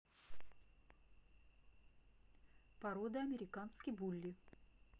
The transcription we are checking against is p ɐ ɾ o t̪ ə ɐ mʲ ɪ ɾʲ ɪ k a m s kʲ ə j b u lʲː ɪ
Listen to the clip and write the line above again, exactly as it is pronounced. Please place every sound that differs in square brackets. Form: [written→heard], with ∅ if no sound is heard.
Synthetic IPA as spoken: p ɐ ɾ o [t̪→d̪] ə ɐ mʲ ɪ ɾʲ ɪ k a [m→n] s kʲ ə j b u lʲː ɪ